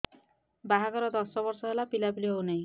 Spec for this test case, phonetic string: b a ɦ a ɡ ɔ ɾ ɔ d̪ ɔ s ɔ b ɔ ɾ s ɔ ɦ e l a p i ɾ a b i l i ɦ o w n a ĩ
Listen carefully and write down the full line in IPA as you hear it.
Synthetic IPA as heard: b a ɦ a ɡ ɔ ɾ ɔ d̪ ɔ s ɔ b ɔ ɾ s ɔ ɦ e l a p i l a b i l i ɦ o w n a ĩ